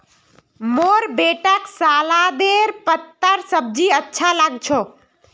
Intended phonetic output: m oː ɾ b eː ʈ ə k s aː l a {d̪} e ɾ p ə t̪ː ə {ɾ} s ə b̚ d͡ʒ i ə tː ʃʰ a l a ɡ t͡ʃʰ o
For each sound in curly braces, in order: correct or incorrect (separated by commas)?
correct, correct